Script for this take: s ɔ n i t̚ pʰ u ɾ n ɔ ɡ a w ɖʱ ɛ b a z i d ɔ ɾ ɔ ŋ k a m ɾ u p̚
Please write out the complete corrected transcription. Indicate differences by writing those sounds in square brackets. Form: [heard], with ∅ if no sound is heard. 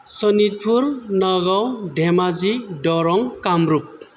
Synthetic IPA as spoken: s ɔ n i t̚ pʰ u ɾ n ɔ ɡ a w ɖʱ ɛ [m] a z i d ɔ ɾ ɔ ŋ k a m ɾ u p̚